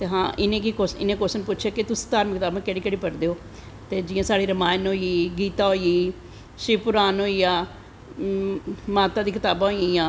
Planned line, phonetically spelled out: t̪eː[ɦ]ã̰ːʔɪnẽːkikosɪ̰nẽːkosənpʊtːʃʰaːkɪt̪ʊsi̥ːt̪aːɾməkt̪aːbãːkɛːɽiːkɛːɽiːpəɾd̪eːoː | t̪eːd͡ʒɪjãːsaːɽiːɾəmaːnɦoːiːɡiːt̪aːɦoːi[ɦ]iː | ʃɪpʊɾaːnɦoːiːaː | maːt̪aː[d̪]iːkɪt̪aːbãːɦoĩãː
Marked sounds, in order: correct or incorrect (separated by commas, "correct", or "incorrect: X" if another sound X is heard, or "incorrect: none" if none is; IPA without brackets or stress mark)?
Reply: correct, incorrect: none, correct